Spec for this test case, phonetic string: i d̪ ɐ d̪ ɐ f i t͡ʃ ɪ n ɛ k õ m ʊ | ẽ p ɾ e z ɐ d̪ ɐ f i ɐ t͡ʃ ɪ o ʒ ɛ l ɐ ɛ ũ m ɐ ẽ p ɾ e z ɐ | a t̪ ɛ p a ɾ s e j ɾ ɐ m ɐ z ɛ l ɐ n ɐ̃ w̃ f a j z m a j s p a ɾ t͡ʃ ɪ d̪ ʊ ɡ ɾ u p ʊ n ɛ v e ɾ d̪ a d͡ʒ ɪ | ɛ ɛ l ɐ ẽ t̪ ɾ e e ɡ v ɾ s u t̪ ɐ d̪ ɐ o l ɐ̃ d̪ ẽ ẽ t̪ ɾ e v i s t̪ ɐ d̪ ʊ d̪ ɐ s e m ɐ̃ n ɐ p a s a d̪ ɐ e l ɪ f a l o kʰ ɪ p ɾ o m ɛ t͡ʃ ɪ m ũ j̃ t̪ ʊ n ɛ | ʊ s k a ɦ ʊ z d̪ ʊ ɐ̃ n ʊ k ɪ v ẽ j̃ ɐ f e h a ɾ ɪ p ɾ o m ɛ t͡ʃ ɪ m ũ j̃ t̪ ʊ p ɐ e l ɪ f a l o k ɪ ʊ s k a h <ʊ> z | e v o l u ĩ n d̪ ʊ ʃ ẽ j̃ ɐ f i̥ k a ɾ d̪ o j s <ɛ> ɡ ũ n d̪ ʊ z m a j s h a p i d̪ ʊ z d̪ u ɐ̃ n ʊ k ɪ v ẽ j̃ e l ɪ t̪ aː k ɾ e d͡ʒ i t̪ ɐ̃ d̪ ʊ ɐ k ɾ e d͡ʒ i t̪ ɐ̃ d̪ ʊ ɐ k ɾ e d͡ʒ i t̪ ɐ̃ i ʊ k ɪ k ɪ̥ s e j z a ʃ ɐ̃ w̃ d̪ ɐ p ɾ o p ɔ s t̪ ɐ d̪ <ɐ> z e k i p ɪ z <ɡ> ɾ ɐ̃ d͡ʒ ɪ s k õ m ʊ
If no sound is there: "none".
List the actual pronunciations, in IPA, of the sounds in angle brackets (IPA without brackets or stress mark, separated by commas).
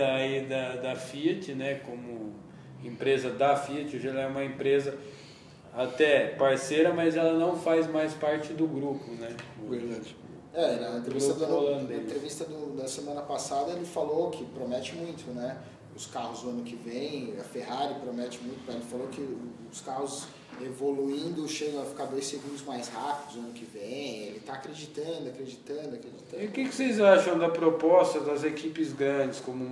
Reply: ʊ, e, ɐ, ɡ